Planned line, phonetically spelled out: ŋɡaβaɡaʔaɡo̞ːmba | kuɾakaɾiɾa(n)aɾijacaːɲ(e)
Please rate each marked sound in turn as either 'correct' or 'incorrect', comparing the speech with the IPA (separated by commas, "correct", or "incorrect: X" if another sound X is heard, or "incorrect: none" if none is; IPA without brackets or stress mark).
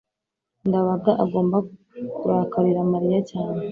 incorrect: m, correct